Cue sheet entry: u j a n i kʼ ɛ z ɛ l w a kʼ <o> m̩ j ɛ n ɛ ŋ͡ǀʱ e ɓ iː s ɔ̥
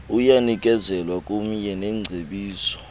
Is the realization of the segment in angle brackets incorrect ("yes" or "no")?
yes